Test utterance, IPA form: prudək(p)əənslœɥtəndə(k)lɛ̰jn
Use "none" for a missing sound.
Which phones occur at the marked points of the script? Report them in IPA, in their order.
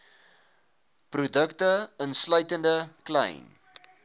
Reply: t, k

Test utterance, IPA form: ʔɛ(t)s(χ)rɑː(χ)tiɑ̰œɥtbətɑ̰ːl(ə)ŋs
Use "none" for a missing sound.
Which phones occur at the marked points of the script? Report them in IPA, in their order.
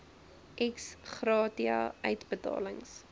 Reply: k, χ, none, ə

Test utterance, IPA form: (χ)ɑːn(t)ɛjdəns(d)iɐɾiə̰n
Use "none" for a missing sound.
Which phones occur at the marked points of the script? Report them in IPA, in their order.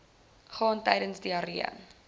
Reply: χ, t, d

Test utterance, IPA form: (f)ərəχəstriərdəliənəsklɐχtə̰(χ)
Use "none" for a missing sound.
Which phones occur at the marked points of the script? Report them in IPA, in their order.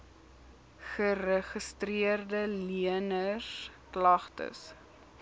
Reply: χ, s

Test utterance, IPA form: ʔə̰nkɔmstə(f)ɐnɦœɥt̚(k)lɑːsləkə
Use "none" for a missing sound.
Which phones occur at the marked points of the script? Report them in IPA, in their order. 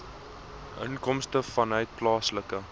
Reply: f, p

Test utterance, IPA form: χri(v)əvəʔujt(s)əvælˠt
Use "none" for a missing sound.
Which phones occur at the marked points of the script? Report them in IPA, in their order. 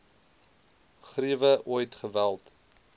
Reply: none, χ

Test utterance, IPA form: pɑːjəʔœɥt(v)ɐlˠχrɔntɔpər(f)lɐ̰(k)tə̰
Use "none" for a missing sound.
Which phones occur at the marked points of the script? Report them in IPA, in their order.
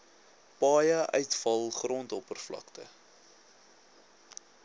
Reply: f, f, k

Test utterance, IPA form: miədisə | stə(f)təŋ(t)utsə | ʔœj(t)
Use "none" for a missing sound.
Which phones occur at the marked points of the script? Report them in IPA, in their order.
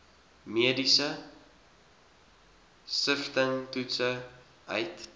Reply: f, t, t

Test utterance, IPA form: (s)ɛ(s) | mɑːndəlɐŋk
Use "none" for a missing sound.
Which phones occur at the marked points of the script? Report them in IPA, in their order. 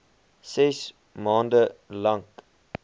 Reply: s, s

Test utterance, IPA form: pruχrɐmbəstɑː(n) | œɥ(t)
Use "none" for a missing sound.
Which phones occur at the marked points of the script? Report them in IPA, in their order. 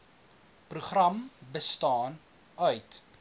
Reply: n, t

